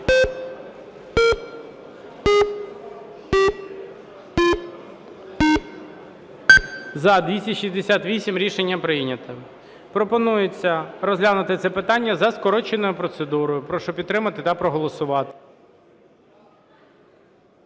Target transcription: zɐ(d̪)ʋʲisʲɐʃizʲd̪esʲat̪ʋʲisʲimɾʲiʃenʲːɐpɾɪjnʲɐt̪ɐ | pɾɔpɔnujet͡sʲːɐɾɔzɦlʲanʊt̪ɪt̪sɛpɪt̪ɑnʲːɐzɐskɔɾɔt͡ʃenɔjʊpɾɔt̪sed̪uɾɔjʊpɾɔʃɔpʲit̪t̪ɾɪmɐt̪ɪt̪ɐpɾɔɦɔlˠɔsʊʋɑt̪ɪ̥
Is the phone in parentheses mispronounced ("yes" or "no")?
no